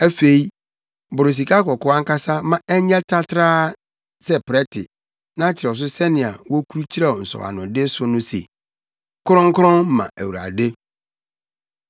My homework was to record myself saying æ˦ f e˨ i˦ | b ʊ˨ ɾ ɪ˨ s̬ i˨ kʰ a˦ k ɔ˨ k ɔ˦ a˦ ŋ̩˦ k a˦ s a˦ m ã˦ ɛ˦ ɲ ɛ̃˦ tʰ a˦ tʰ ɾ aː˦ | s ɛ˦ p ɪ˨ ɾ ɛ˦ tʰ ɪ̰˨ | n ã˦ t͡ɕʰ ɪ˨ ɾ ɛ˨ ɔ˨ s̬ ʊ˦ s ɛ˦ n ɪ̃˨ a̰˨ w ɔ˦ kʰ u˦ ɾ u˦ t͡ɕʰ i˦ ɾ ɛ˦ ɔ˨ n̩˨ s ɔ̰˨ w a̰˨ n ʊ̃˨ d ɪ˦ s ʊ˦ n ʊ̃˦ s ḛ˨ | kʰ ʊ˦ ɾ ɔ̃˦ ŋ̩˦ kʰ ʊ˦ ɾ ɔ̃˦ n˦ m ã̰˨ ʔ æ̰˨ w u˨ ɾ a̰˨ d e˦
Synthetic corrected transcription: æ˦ f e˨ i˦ | b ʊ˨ ɾ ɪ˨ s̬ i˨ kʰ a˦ k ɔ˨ k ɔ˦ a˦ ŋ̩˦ k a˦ s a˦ m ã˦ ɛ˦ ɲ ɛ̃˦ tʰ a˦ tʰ ɾ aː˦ | s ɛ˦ p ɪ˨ ɾ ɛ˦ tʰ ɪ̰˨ | n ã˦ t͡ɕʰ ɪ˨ ɾ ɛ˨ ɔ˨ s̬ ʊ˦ s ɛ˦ n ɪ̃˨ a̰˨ w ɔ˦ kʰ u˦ ɾ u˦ t͡ɕʰ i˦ ɾ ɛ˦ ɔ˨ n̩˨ s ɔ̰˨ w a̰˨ n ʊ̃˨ d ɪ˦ s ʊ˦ n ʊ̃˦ s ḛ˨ | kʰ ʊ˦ ɾ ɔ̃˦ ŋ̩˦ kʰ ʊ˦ ɾ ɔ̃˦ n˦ m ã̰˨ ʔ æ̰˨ w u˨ ɾ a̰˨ d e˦